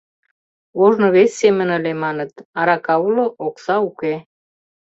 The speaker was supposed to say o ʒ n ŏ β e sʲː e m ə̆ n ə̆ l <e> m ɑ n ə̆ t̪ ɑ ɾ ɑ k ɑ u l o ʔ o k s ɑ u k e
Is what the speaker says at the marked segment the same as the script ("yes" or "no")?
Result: yes